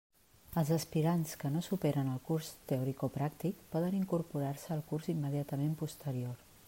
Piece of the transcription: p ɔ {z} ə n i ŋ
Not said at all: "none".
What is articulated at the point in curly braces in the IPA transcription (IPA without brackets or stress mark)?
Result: ð